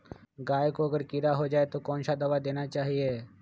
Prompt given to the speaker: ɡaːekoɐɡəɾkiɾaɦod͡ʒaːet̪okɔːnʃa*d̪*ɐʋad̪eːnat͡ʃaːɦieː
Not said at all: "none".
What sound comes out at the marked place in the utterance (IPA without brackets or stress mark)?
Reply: d̪